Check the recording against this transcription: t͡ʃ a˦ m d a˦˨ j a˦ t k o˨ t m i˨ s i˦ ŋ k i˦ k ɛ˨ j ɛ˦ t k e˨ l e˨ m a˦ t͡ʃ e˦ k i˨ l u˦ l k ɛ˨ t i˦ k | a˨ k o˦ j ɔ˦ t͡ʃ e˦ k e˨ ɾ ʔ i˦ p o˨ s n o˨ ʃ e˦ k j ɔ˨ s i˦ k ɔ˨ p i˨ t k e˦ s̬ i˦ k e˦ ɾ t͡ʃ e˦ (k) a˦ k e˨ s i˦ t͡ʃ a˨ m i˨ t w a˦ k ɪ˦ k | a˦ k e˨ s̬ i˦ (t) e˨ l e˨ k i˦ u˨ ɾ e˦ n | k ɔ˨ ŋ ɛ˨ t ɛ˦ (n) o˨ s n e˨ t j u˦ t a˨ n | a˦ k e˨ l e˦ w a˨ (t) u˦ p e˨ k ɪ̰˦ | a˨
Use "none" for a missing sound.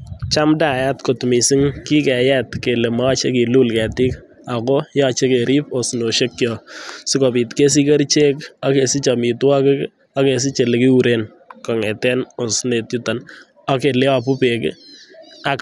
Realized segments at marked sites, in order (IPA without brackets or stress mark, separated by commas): k, t͡ʃ, n, p